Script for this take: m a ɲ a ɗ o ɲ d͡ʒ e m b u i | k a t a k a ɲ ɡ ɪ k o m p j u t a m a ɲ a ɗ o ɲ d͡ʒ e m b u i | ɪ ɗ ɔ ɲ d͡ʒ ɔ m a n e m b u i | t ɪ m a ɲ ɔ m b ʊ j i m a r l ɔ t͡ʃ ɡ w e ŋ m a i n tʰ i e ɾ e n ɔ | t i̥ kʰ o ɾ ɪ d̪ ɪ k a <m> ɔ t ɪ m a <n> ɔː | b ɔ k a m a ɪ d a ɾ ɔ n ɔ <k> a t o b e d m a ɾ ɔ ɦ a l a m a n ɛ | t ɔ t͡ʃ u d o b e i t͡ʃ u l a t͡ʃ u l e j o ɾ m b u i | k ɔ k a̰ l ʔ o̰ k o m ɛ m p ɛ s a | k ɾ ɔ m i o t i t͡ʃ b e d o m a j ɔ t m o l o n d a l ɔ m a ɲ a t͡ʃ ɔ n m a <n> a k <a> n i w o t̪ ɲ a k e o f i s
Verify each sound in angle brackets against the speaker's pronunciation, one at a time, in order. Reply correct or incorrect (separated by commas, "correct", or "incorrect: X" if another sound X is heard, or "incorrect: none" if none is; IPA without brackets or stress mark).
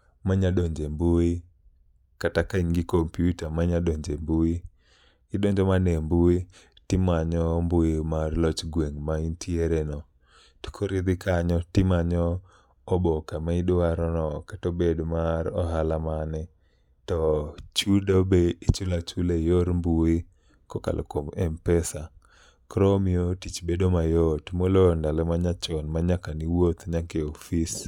incorrect: ɲ, incorrect: ɲ, correct, incorrect: ɲ, correct